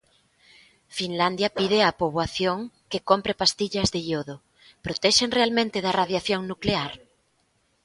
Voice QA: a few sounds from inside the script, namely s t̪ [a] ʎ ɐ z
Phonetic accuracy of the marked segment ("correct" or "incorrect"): incorrect